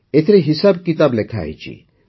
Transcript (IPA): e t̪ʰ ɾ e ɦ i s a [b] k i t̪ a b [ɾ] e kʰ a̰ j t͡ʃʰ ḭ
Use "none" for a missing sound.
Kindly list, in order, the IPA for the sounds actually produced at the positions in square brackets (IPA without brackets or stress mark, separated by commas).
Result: b, l